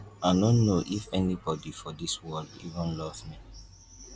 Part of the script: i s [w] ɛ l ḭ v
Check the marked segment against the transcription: correct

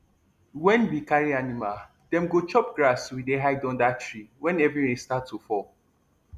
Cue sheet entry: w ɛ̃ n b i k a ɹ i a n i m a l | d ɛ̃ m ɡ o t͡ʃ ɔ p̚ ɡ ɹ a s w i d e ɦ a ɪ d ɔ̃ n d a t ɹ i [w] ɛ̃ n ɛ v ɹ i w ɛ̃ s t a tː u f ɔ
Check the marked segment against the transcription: correct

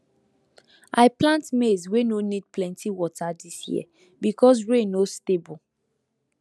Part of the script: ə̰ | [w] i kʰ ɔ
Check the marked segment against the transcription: incorrect: b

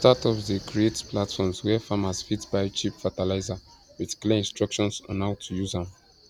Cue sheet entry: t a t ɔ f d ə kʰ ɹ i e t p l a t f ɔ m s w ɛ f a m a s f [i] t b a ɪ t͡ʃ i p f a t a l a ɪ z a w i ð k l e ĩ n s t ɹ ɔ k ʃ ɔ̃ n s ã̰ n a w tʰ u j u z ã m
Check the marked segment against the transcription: correct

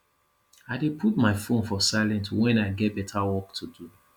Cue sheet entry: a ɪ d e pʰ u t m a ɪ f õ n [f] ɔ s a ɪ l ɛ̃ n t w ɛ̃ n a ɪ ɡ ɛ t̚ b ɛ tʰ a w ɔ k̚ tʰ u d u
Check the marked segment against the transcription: correct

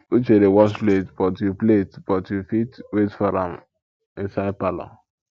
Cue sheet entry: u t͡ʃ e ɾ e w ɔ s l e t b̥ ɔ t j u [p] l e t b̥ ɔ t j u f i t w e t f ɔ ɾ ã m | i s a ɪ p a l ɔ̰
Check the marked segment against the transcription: correct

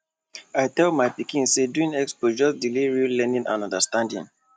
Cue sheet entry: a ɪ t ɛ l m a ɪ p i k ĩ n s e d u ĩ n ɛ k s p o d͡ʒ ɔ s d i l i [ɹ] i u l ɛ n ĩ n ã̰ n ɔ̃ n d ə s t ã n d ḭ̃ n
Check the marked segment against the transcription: correct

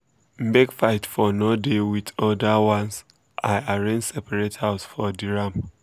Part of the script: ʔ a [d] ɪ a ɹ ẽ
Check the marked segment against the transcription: incorrect: none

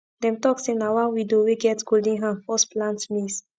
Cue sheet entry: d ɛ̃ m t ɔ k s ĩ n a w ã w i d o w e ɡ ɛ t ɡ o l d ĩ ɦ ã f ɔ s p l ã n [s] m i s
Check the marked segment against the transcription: incorrect: t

